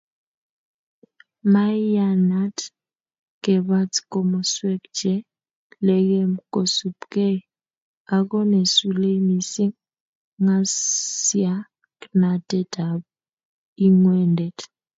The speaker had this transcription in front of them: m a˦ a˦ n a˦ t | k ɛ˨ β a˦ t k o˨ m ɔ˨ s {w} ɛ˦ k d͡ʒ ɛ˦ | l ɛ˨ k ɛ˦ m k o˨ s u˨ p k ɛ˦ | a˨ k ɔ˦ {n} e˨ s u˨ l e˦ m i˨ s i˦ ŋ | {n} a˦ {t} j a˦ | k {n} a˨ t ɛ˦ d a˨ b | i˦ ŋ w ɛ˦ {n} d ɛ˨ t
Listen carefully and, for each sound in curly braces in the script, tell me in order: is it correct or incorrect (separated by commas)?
correct, correct, incorrect, incorrect, correct, correct